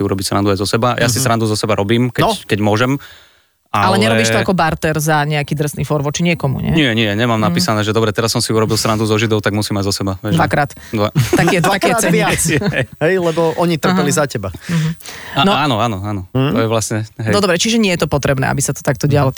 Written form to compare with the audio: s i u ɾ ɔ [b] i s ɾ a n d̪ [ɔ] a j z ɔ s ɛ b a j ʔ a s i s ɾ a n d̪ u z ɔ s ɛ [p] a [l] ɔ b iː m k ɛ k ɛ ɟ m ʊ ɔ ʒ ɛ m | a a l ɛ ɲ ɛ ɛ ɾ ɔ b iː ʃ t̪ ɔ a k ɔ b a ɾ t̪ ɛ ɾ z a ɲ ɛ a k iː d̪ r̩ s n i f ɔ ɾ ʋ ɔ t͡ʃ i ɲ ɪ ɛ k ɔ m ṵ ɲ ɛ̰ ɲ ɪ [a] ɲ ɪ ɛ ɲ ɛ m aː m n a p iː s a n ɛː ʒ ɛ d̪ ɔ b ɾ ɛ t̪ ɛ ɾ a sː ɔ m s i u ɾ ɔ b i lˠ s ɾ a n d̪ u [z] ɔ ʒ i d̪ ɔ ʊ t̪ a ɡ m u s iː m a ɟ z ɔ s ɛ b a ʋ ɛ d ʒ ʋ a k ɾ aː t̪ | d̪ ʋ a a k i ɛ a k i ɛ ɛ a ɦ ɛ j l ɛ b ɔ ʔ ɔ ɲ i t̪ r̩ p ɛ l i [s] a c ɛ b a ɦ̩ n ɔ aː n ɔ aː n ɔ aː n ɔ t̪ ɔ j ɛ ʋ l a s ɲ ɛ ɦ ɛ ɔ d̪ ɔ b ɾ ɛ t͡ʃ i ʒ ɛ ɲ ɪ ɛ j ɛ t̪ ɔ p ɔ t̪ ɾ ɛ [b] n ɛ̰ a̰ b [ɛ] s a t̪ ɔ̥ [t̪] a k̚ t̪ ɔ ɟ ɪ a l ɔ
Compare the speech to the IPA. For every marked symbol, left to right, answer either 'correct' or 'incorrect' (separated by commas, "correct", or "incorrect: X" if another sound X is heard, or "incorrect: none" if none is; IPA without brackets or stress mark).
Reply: correct, incorrect: u, incorrect: b, incorrect: ɾ, incorrect: ɛ, correct, incorrect: z, correct, incorrect: i, correct